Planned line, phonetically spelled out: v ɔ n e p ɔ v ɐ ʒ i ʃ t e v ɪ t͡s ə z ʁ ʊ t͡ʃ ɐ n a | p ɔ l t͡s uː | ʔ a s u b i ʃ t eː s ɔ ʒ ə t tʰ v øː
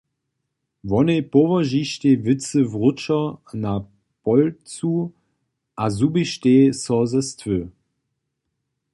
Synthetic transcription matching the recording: v ɔ n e p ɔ v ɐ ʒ i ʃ t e v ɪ t͡s ə v ʁ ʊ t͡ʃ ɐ n a | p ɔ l t͡s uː | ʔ a z u b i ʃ t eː s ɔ z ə s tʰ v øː